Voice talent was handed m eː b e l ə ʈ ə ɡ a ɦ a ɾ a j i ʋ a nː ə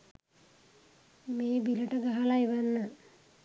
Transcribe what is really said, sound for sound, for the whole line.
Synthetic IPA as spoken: m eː b i l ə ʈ ə ɡ a ɦ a l a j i ʋ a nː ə